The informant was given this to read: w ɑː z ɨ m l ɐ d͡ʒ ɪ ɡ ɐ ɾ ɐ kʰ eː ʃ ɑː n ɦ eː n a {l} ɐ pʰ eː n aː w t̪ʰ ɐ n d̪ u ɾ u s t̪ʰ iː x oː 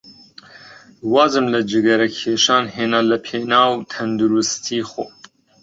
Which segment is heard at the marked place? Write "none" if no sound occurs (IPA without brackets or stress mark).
l